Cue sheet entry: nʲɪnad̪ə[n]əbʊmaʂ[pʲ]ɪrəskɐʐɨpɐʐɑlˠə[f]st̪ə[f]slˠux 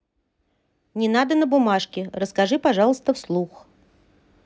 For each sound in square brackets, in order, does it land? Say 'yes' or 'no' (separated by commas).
yes, no, no, yes